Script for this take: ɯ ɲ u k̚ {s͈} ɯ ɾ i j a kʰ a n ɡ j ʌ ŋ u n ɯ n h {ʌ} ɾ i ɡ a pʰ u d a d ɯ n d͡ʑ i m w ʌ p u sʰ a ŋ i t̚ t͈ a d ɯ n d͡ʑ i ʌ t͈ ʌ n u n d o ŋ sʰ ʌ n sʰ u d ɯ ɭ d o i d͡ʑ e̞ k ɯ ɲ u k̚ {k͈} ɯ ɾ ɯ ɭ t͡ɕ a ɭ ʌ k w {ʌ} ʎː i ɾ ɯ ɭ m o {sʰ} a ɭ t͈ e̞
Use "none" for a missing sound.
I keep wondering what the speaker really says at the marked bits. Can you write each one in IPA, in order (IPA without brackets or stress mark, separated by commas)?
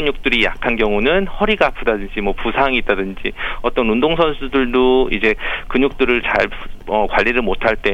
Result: t͈, ʌ, t͈, a, tʰ